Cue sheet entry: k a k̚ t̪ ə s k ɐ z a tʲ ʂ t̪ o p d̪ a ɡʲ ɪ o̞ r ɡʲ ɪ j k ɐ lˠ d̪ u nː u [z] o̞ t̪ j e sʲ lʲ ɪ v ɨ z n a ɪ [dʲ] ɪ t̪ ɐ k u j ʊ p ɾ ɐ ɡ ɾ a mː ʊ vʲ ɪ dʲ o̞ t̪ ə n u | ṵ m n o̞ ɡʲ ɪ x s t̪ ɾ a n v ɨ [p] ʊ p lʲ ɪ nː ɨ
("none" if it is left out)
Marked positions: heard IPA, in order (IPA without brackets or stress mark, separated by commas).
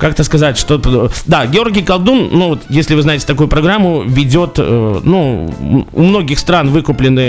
v, tʲ, k